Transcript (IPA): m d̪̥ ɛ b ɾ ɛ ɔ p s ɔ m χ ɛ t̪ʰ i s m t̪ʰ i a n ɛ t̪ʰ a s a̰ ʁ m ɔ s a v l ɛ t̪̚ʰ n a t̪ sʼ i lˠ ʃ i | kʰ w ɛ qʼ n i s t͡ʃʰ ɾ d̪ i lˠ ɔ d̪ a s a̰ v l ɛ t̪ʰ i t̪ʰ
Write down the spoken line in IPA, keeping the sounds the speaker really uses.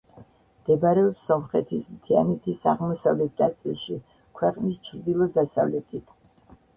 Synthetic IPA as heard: m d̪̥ ɛ b ɾ ɛ ɔ p s ɔ m χ ɛ t̪ʰ i s m t̪ʰ i a n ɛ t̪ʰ i s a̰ ʁ m ɔ s a v l ɛ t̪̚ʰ n a t̪ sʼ i lˠ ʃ i | kʰ w ɛ qʼ n i s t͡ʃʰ ɾ d̪ i lˠ ɔ d̪ a s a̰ v l ɛ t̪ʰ i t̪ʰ